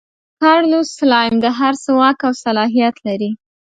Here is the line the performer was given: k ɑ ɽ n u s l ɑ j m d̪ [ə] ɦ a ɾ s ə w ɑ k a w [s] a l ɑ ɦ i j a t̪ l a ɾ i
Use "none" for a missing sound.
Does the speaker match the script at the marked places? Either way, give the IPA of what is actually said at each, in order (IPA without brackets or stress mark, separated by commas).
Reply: ə, s